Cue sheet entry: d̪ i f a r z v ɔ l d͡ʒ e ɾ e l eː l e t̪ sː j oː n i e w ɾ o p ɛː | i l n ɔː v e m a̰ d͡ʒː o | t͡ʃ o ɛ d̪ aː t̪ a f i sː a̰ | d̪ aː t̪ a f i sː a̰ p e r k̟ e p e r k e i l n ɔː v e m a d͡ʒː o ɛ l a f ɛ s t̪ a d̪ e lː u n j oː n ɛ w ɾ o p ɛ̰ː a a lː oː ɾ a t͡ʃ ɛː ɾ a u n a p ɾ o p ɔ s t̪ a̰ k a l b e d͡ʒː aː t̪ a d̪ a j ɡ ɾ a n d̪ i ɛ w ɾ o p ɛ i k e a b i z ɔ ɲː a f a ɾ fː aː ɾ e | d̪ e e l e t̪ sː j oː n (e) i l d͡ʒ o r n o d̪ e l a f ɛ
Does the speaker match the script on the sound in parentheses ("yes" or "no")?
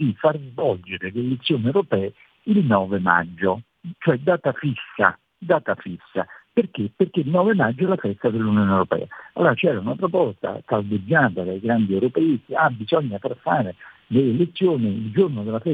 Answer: no